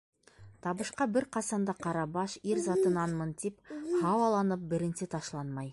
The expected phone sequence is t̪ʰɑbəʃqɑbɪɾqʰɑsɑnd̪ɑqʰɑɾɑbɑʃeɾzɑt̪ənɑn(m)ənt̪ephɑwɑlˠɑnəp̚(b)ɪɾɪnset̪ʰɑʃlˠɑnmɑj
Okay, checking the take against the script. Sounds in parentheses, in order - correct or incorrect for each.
correct, correct

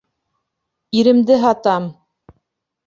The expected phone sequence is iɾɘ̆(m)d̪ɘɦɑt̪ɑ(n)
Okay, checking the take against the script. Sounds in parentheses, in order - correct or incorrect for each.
correct, incorrect: m

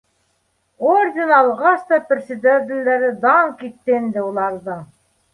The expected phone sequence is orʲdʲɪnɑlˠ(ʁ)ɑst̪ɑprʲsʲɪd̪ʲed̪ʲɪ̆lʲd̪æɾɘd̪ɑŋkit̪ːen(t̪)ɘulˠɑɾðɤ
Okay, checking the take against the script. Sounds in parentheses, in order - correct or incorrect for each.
correct, incorrect: d̪

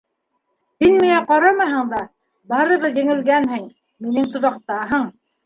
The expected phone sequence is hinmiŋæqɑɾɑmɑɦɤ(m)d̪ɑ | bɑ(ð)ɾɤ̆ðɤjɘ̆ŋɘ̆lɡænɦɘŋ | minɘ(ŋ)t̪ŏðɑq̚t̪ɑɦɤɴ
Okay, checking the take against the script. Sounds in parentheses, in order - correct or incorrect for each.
incorrect: ɴ, incorrect: none, correct

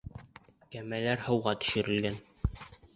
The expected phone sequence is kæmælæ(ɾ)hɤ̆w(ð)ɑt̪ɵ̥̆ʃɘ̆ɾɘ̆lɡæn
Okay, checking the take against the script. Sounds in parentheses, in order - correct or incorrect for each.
correct, incorrect: ʁ

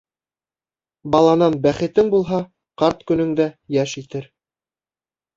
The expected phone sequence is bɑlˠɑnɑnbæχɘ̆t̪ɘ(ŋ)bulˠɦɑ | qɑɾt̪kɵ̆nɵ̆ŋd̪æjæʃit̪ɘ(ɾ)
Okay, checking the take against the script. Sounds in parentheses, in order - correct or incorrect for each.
correct, correct

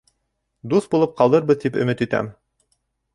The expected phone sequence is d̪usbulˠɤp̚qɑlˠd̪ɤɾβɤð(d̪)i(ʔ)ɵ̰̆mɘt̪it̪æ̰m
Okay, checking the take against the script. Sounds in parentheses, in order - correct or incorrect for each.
incorrect: t̪, incorrect: p

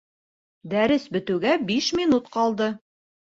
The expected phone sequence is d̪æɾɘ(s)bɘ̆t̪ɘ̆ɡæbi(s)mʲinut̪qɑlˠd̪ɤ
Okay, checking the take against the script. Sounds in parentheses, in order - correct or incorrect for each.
correct, incorrect: ʃ

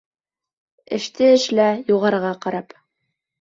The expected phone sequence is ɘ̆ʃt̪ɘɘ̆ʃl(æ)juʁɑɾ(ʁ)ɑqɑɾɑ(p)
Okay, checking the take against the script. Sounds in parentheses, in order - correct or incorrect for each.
correct, correct, correct

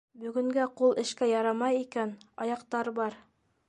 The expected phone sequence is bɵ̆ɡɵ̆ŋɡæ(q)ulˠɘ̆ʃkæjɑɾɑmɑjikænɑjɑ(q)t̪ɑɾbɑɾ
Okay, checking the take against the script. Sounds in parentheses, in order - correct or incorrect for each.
correct, correct

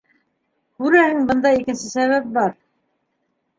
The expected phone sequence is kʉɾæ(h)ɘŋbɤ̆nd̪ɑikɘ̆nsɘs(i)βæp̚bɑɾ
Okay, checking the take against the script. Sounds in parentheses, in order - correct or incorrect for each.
correct, incorrect: æ

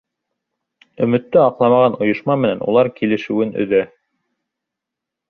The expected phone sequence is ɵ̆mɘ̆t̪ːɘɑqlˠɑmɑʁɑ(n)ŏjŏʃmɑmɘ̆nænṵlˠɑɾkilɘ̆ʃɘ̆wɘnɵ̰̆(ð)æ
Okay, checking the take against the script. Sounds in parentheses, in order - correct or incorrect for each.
correct, correct

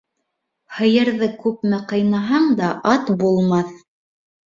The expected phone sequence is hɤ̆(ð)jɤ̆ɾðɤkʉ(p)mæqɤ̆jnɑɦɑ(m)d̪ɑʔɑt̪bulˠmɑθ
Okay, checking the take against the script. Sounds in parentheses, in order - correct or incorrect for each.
incorrect: none, correct, incorrect: ɴ

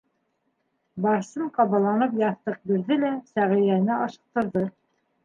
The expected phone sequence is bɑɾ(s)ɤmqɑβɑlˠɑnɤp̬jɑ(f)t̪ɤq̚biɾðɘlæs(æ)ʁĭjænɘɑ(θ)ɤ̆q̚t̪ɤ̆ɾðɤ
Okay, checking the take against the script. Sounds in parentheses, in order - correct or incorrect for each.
correct, incorrect: θ, correct, incorrect: ʃ

